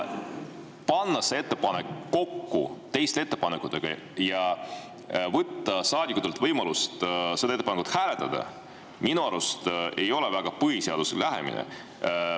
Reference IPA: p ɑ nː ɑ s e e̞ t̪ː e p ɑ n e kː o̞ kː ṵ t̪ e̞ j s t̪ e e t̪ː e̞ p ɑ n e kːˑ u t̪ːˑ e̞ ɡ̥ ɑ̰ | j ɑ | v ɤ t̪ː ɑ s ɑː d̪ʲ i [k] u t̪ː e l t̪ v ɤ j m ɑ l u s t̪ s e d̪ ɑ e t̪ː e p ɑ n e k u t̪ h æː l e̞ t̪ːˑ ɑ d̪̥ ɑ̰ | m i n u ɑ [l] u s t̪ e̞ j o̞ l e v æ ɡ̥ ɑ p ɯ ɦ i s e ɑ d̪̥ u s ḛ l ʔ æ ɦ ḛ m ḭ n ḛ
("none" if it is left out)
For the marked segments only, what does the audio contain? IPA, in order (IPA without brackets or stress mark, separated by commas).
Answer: k, ɾ